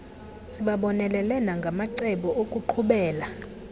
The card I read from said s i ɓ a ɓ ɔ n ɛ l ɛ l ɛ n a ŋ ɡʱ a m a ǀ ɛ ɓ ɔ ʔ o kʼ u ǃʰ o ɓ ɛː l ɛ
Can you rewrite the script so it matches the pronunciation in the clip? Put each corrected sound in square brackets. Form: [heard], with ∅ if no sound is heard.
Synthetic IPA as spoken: s i ɓ a ɓ ɔ n ɛ l ɛ l ɛ n a ŋ ɡʱ a m a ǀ ɛ ɓ ɔ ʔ o kʼ u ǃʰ [u] ɓ ɛː l [a]